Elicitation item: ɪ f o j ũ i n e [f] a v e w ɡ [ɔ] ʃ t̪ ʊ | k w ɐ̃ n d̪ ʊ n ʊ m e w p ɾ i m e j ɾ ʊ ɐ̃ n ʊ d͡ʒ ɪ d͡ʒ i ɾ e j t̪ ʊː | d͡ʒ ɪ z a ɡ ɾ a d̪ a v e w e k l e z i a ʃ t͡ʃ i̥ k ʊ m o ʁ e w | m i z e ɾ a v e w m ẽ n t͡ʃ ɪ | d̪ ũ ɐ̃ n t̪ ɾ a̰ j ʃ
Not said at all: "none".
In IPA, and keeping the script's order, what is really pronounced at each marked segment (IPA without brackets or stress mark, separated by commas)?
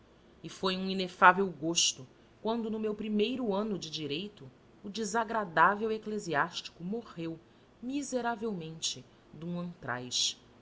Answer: f, o